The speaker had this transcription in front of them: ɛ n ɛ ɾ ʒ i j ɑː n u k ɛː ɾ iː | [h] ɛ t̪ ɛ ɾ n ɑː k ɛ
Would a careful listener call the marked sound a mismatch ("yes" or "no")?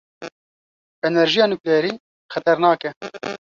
yes